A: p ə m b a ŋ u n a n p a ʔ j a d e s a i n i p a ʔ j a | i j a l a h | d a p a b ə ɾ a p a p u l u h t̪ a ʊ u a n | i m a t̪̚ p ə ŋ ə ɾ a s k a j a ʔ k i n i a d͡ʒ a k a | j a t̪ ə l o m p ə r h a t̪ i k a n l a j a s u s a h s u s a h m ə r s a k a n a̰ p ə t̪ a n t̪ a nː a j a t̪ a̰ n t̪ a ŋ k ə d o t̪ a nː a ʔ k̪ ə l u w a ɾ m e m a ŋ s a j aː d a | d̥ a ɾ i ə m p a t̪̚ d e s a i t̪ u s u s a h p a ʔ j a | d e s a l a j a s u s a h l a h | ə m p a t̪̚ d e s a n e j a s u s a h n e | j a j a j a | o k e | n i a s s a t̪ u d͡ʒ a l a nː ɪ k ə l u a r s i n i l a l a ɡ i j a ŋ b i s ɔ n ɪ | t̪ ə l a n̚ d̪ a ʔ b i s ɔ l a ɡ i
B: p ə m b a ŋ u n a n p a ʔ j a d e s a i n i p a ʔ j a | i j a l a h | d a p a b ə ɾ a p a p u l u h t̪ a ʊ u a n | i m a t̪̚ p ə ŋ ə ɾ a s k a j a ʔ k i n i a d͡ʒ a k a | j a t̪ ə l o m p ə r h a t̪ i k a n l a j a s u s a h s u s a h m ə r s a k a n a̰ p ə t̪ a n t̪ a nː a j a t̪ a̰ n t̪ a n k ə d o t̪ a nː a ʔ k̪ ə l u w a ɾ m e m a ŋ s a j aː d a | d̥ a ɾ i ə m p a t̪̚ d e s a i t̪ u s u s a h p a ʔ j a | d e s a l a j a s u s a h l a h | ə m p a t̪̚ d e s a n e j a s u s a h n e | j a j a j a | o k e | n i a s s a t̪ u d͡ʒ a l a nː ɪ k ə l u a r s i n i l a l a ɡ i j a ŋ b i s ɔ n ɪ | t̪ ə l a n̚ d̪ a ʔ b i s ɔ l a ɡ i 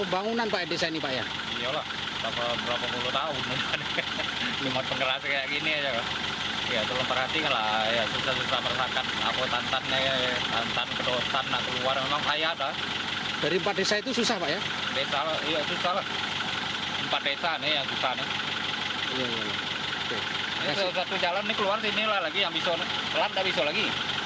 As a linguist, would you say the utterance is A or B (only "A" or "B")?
B